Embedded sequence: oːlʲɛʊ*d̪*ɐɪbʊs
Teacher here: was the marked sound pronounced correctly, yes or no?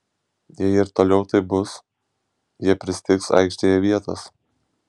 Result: no